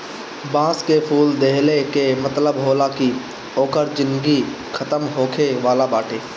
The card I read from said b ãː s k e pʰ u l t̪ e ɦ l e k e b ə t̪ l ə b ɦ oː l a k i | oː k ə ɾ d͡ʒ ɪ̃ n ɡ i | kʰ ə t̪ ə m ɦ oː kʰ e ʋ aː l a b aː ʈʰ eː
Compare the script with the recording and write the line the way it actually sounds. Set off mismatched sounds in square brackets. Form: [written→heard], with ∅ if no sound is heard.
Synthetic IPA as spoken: b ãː s k e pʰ [u→uː] l [t̪→d̪] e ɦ l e k e [b→m] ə t̪ l ə b ɦ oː l a k i | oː k ə ɾ d͡ʒ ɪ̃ n ɡ i | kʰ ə t̪ ə m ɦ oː kʰ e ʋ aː l a b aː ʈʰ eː